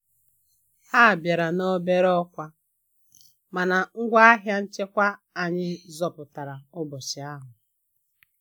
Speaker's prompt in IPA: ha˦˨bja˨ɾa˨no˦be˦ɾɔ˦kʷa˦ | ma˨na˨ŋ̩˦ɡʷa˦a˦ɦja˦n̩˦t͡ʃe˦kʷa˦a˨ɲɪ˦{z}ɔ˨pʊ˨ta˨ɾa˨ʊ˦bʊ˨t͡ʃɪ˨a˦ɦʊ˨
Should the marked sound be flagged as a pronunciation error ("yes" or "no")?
no